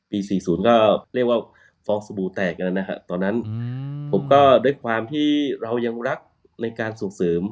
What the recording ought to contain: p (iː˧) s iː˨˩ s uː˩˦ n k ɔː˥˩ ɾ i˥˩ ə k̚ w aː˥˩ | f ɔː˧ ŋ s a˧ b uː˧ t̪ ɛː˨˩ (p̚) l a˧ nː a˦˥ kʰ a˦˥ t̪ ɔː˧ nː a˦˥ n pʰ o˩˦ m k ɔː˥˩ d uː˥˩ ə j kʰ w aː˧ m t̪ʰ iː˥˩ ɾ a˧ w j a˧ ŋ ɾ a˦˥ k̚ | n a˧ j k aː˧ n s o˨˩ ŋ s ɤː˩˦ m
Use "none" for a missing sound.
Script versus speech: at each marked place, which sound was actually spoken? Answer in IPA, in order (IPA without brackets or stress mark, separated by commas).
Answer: iː˧, k̚